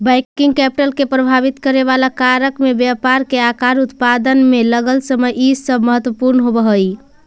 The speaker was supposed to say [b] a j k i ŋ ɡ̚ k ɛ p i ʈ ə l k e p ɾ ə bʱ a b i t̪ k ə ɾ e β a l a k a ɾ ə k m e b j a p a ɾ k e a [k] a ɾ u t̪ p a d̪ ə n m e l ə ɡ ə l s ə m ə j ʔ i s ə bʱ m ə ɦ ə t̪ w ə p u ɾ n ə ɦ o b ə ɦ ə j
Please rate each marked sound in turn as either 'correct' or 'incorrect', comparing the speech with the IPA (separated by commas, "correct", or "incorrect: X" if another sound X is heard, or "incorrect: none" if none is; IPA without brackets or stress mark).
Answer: correct, correct